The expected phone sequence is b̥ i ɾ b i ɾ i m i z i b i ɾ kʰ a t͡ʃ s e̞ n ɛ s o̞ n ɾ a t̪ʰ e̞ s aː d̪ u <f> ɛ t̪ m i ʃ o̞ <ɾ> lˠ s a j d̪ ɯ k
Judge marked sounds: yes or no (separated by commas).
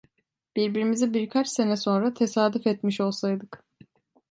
yes, no